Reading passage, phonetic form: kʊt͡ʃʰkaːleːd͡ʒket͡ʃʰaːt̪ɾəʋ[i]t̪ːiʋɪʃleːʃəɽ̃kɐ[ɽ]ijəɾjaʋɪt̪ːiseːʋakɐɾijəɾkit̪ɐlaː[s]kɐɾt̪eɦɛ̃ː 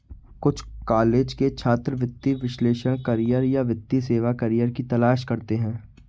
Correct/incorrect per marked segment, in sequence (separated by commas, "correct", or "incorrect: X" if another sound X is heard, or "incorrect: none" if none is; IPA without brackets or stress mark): incorrect: ɪ, incorrect: ɾ, incorrect: ʃ